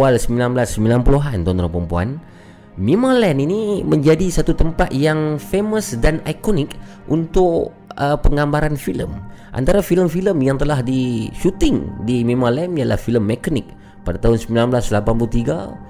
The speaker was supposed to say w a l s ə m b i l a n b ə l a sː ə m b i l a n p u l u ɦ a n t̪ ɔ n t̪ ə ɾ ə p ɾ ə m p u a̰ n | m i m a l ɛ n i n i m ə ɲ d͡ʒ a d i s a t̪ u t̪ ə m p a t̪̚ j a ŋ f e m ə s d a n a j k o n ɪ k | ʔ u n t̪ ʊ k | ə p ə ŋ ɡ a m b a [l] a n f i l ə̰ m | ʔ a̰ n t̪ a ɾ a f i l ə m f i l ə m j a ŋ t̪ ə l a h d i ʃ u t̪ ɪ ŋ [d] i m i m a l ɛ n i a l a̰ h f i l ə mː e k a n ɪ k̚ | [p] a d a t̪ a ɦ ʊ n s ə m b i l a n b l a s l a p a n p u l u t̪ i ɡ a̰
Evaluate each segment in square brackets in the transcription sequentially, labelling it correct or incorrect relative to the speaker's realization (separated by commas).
incorrect, correct, correct